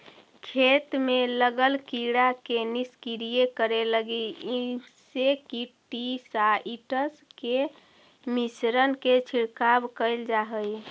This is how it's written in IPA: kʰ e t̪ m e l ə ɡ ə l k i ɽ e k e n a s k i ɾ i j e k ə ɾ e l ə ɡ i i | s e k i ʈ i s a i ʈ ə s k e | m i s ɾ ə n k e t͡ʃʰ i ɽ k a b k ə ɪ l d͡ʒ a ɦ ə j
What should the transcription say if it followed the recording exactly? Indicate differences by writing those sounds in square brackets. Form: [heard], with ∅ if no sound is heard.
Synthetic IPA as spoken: kʰ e t̪ m e l ə ɡ ə l k i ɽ [a] k e n [i] s k i ɾ i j e k ə ɾ e l ə ɡ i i | s e k i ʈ i s a i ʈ ə s k e | m i s ɾ ə n k e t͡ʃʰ i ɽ k a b k ə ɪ l d͡ʒ a ɦ ə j